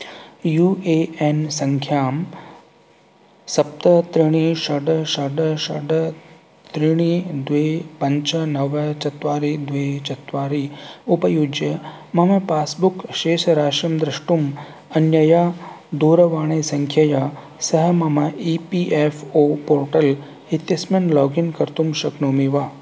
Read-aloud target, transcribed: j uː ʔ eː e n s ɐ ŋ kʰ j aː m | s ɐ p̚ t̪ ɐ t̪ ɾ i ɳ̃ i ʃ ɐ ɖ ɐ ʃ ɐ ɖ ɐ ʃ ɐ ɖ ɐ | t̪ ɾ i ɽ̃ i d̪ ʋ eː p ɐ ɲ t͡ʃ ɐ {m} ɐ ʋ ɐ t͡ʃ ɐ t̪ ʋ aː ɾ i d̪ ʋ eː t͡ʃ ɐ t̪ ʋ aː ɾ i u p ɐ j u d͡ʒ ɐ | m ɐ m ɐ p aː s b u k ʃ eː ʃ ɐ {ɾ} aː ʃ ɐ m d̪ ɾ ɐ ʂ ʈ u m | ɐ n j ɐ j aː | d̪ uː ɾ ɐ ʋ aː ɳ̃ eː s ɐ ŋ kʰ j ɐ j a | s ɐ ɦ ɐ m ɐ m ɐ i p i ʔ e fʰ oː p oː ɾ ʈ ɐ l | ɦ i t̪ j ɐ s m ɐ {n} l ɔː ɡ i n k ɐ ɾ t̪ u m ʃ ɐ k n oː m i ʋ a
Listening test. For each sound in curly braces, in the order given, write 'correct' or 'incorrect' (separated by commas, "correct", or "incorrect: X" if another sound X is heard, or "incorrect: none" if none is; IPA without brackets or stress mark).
incorrect: n, correct, correct